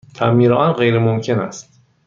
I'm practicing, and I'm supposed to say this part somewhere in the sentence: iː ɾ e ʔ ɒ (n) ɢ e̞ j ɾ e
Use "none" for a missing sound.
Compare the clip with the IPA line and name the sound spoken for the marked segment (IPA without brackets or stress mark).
n